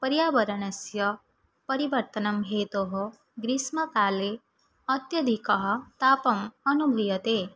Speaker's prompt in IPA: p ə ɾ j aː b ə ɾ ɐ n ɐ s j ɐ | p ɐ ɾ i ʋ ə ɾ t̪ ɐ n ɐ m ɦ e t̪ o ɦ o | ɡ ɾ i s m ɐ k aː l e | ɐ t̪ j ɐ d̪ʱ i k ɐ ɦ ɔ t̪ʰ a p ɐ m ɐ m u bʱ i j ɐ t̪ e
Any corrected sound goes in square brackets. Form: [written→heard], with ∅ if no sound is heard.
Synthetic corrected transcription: p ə ɾ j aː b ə ɾ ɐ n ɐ s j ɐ | p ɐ ɾ i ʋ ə ɾ t̪ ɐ n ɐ m ɦ e t̪ o ɦ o | ɡ ɾ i s m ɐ k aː l e | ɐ t̪ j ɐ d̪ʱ i k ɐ ɦ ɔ [t̪ʰ→t̪] a p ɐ m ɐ [m→n] u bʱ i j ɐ t̪ e